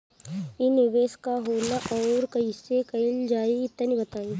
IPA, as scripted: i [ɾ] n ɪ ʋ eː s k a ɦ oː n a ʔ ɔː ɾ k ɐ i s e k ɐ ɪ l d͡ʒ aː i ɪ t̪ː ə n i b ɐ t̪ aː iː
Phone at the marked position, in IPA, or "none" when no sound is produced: none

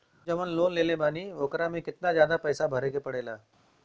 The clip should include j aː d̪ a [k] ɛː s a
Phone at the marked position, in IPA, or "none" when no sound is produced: p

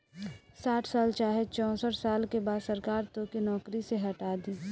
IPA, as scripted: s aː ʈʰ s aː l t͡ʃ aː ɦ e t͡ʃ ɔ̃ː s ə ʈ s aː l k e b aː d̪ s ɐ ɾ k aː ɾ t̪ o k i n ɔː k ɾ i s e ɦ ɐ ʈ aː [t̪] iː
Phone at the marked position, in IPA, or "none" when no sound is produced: d̪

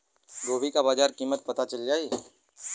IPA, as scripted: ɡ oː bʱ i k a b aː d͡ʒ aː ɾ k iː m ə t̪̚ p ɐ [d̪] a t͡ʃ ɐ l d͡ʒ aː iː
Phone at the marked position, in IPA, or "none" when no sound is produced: t̪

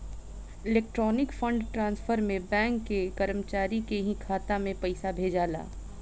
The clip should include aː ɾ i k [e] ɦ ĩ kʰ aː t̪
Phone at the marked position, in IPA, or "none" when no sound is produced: e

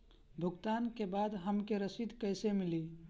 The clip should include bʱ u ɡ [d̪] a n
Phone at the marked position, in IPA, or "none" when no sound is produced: t̪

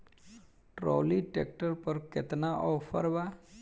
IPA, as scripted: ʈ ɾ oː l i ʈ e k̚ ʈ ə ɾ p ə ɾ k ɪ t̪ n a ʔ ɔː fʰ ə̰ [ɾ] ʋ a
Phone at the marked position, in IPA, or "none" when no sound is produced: ɾ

